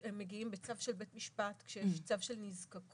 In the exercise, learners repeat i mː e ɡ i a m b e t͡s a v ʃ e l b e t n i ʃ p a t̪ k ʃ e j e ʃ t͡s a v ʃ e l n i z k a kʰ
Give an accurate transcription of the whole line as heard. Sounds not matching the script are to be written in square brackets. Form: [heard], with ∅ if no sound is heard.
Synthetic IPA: [e] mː e ɡ i [i] m b e t͡s a v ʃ e l b e t [m] i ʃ p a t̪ k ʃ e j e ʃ t͡s a v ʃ e l n i z k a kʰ